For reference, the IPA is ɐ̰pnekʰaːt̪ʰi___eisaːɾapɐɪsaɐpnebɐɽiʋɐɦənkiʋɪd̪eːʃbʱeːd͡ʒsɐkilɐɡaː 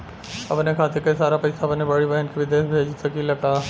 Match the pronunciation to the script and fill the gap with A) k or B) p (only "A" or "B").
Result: A